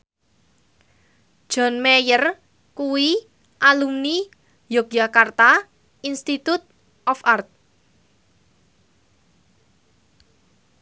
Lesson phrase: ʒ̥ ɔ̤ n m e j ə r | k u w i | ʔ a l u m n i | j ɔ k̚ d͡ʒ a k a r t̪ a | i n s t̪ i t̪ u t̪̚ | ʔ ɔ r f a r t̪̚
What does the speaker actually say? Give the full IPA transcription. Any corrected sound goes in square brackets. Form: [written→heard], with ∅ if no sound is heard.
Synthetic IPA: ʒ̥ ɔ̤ n m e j ə r | k u w i | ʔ a l u m n i | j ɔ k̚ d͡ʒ a k a r t̪ a | i n s t̪ i t̪ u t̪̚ | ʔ ɔ [r→∅] f a r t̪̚